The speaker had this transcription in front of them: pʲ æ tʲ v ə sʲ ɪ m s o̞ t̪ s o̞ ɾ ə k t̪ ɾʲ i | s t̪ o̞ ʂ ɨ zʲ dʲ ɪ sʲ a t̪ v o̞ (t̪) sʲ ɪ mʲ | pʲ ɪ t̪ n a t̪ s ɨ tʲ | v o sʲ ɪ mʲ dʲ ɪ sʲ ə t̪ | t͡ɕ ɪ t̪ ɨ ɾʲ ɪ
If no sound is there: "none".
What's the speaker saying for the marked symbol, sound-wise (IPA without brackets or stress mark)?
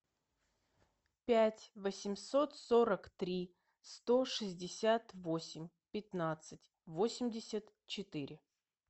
none